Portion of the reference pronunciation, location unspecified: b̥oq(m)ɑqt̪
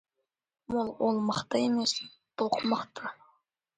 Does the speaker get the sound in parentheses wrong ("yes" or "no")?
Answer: no